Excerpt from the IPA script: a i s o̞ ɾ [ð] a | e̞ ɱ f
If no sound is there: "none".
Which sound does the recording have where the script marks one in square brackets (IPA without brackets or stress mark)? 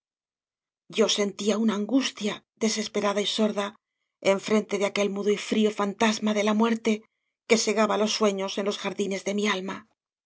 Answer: ð